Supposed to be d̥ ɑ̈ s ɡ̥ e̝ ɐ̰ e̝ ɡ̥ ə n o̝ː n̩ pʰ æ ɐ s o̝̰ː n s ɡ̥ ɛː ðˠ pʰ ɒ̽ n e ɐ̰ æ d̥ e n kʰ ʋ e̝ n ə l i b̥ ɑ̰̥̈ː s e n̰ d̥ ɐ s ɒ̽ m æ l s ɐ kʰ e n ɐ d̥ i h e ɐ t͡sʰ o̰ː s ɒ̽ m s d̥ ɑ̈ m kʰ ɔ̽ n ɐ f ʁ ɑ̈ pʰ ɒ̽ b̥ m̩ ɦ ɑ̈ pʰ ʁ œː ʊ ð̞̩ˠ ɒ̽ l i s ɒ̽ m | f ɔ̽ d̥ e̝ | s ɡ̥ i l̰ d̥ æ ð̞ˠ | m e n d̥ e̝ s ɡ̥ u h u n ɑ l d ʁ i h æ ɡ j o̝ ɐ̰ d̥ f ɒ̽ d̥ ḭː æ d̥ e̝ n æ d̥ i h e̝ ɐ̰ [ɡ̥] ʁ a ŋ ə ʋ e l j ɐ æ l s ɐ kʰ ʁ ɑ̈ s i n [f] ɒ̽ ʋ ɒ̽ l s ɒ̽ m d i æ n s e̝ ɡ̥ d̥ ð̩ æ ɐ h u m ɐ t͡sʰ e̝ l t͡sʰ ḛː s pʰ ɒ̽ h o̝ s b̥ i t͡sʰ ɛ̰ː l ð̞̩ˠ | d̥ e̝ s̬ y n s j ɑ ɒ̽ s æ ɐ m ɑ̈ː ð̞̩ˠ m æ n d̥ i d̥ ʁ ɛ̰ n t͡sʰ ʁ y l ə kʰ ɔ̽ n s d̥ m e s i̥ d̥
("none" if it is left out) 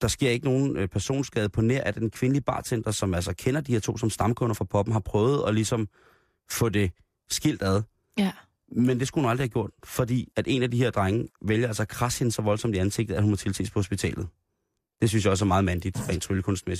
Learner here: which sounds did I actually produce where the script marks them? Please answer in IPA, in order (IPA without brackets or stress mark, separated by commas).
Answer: d̥, s